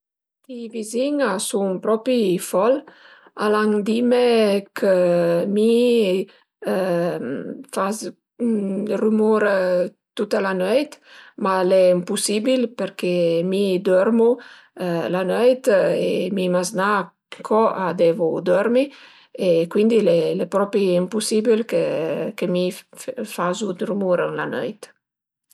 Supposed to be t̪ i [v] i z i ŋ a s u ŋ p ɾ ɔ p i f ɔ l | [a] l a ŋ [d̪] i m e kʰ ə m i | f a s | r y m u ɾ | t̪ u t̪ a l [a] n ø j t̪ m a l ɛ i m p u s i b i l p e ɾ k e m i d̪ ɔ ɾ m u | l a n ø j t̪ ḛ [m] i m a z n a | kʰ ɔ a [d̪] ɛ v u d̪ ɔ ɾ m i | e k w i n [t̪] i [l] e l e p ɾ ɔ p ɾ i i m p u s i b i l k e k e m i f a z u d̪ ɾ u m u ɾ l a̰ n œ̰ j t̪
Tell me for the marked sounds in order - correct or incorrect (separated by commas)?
correct, correct, correct, correct, correct, correct, incorrect, correct